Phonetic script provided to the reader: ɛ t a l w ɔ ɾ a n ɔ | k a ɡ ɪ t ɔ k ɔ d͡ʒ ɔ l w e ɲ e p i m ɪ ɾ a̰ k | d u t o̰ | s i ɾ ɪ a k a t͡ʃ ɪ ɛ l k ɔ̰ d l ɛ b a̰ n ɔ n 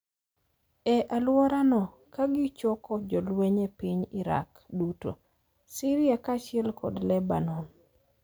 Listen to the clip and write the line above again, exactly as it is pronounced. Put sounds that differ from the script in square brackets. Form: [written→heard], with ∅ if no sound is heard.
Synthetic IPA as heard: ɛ [t→ʔ] a l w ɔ ɾ a n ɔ | k a ɡ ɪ [t→t͡ʃ] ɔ k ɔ d͡ʒ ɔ l w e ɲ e p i [m→ɲ] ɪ ɾ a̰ k | d u t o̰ | s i ɾ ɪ a k a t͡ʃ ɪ ɛ l k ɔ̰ d l ɛ b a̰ n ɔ n